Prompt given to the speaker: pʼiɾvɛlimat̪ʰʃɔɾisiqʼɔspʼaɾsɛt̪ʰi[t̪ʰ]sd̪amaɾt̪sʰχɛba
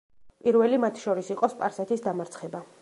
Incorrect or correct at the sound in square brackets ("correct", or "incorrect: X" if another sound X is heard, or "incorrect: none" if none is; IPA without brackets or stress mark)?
incorrect: none